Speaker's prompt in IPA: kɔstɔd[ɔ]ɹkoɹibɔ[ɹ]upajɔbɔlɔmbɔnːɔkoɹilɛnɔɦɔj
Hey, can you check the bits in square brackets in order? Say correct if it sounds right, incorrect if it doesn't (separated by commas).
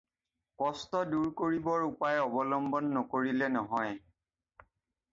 incorrect, correct